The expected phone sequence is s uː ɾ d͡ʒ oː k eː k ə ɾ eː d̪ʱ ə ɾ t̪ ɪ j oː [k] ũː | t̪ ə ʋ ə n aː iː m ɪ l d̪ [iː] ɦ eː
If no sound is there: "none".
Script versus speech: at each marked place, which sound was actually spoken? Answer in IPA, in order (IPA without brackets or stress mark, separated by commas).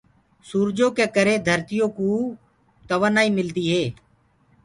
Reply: k, iː